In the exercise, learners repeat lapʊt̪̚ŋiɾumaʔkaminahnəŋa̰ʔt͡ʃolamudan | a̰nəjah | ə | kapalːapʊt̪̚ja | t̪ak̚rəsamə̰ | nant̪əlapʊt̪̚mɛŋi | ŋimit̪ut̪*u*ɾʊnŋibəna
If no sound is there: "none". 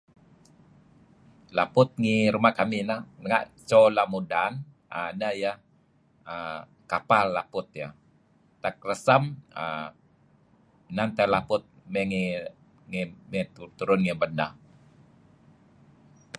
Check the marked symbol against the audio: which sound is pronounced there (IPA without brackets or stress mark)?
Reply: u